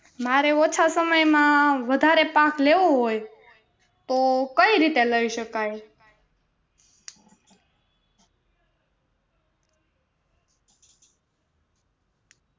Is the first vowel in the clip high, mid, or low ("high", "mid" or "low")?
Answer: low